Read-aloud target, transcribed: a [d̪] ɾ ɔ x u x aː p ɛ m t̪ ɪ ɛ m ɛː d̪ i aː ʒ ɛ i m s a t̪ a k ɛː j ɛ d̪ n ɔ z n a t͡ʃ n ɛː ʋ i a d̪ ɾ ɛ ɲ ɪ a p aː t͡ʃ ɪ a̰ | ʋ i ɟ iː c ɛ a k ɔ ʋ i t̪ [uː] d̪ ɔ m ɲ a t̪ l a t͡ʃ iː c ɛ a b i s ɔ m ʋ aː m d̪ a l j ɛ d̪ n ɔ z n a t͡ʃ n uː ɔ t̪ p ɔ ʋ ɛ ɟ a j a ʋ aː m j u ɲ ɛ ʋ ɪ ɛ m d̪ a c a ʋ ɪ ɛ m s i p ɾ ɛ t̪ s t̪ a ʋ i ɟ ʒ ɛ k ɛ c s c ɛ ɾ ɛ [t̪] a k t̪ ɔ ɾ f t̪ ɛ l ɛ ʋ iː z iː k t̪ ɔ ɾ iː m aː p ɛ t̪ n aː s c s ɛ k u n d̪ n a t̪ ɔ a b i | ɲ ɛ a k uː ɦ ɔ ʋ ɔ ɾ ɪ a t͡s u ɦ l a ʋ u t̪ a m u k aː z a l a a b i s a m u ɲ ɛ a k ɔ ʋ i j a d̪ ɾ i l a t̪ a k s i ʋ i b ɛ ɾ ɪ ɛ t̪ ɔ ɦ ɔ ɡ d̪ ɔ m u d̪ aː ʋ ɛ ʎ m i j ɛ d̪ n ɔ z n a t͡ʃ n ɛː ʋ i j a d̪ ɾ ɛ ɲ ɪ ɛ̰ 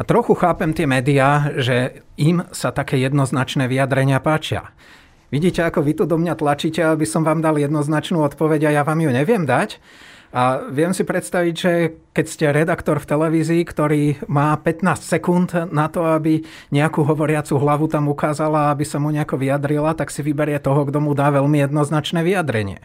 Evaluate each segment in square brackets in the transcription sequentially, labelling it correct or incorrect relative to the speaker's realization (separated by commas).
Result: incorrect, incorrect, incorrect